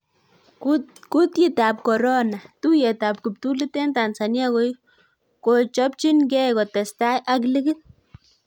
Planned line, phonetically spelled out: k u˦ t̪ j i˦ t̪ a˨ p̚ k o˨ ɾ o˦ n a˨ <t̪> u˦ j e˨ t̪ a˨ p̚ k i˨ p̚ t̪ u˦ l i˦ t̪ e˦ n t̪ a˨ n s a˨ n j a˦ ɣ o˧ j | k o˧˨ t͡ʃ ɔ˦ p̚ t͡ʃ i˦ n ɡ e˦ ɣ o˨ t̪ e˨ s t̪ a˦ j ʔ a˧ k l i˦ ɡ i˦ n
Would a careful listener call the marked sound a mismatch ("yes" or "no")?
no